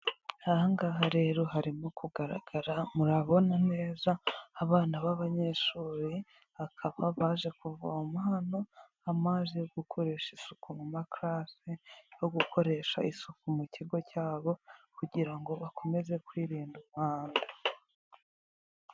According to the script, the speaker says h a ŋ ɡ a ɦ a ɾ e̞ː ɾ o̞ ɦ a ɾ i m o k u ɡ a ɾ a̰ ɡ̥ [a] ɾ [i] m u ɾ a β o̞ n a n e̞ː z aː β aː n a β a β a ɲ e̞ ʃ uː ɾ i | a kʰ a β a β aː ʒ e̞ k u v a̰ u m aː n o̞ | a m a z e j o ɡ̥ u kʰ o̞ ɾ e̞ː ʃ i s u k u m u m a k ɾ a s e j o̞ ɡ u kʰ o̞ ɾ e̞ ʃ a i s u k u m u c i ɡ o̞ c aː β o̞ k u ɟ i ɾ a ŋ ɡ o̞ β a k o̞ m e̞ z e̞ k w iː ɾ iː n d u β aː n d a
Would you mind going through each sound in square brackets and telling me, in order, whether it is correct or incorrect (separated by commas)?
correct, incorrect